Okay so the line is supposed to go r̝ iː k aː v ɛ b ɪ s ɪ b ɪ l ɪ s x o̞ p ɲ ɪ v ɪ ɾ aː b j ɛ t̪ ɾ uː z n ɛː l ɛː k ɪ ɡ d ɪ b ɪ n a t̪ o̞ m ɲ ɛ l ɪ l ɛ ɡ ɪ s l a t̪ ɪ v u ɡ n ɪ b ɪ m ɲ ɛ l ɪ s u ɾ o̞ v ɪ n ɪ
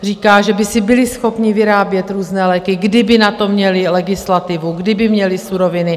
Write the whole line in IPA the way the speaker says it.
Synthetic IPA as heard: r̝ iː k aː ʒ ɛ b ɪ s ɪ b ɪ l ɪ s x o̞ p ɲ ɪ v ɪ ɾ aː b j ɛ t̪ ɾ uː z n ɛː l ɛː k ɪ ɡ d ɪ b ɪ n a t̪ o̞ m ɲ ɛ l ɪ l ɛ ɡ ɪ s l a t̪ ɪ v u ɡ d ɪ b ɪ m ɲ ɛ l ɪ s u ɾ o̞ v ɪ n ɪ